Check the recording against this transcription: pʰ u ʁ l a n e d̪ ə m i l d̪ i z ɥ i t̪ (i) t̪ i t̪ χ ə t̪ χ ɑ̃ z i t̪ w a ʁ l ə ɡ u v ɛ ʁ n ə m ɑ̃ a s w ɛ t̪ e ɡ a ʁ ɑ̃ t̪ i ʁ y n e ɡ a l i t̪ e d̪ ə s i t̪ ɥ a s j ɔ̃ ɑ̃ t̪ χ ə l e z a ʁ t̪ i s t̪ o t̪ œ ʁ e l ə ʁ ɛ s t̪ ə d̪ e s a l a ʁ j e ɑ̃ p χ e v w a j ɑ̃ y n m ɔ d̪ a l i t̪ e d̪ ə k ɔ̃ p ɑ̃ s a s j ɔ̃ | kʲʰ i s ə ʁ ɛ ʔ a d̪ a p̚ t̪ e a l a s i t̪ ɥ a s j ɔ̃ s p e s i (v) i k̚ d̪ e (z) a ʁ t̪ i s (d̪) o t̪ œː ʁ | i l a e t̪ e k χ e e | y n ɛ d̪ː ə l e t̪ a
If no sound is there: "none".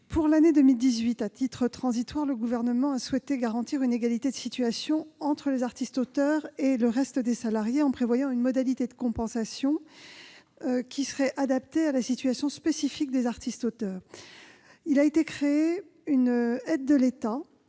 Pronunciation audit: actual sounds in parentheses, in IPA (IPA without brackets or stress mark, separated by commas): a, f, z, t̪